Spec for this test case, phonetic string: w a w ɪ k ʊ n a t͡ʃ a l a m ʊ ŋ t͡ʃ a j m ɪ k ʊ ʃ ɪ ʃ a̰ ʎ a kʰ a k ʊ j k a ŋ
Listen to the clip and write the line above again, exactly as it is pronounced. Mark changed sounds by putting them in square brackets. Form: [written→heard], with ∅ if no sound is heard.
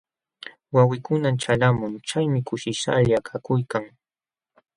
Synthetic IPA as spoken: w a w ɪ k ʊ n a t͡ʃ a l a m ʊ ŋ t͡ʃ a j m ɪ k ʊ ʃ ɪ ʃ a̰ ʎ a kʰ a k ʊ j k a ŋ